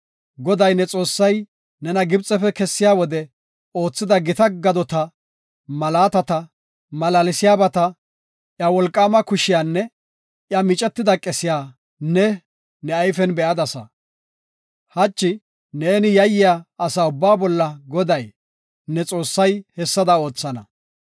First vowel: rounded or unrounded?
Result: rounded